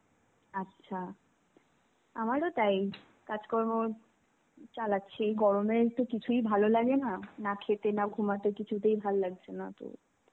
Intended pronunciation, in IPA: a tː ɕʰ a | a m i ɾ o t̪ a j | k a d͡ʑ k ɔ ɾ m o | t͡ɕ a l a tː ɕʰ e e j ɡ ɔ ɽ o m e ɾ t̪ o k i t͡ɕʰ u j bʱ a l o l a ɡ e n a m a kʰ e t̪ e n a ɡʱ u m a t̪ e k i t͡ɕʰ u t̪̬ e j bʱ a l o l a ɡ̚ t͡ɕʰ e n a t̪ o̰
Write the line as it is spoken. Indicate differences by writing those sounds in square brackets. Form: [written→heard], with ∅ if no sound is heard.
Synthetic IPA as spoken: a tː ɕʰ a | a m [i→a] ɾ o t̪ a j | k a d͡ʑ k ɔ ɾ m o | t͡ɕ a l a tː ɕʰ e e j ɡ ɔ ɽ o m e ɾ t̪ o k i t͡ɕʰ u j bʱ a l o l a ɡ e n a [m→n] a kʰ e t̪ e n a ɡʱ u m a t̪ e k i t͡ɕʰ u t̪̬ e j bʱ a l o l a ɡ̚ t͡ɕʰ e n a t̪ o̰